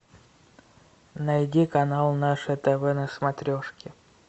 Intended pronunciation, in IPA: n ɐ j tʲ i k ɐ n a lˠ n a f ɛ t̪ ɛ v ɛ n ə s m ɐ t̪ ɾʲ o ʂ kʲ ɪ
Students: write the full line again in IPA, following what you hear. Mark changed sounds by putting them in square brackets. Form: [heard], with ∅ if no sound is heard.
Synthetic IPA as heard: n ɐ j [dʲ] i k ɐ n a lˠ n a [ʂ] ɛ t̪ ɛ v ɛ n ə s m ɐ t̪ ɾʲ o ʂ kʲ ɪ